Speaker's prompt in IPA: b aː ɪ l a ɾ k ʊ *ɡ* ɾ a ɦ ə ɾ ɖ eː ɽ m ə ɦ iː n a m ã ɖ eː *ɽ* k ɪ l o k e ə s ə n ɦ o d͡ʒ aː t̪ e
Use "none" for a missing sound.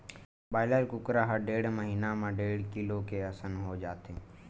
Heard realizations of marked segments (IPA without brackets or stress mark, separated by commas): k, ɽ